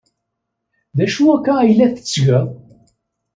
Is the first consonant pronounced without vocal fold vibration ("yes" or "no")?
no